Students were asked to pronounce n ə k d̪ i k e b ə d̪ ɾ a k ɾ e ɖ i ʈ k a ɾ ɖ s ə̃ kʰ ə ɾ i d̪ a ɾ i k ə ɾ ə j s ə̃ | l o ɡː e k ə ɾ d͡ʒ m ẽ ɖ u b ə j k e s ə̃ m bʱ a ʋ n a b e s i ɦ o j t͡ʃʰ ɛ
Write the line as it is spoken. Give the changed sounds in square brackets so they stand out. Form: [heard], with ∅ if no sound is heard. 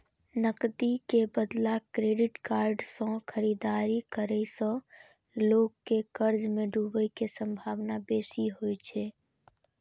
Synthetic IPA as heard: n ə k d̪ i k e b ə d̪ [l] a k ɾ e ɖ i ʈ k a ɾ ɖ s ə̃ kʰ ə ɾ i d̪ a ɾ i k ə ɾ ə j s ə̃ | l o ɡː e k ə ɾ d͡ʒ m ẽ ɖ u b ə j k e s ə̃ m bʱ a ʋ n a b e s i ɦ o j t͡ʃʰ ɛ